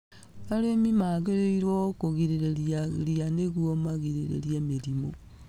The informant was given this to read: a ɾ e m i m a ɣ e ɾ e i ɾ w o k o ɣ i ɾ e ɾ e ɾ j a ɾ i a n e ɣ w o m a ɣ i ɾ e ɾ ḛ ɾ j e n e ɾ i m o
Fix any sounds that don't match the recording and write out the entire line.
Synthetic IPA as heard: a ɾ e m i m a ɣ e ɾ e i ɾ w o k o ɣ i ɾ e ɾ e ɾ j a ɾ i a n e ɣ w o m a ɣ i ɾ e ɾ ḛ ɾ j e m e ɾ i m o